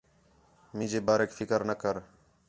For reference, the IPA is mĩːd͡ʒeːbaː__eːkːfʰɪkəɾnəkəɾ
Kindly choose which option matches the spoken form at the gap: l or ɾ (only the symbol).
ɾ